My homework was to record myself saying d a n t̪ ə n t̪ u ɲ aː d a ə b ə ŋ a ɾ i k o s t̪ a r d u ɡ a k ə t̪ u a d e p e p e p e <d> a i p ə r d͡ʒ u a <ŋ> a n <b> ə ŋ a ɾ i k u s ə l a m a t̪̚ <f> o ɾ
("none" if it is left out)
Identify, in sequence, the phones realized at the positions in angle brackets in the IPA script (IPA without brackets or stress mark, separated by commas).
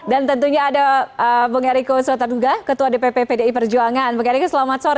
d, ŋ, b, s